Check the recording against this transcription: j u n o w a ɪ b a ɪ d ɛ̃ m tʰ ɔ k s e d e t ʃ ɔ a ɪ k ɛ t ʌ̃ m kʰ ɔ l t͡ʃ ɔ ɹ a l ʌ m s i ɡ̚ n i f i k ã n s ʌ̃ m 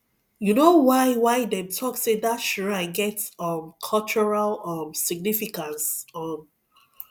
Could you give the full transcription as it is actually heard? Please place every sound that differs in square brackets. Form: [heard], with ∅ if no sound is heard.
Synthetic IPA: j u n o w a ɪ [w] a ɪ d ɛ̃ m tʰ ɔ k s e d [a] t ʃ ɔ a ɪ [ɡ] ɛ t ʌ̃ m kʰ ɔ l t͡ʃ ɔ ɹ a l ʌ m s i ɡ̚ n i f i k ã n s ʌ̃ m